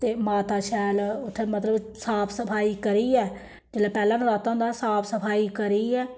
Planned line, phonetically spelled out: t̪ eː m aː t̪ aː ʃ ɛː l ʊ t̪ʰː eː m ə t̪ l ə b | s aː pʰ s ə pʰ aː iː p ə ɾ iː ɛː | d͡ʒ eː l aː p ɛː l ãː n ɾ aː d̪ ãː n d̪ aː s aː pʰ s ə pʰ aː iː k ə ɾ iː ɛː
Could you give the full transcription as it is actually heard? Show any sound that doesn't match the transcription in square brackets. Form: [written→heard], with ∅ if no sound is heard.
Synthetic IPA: t̪ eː m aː t̪ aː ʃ ɛː l ʊ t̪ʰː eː m ə t̪ l ə b | s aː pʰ s ə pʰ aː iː [p→k] ə ɾ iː ɛː | d͡ʒ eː l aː p ɛː l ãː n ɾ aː [d̪→t̪] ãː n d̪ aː s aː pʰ s ə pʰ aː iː k ə ɾ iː ɛː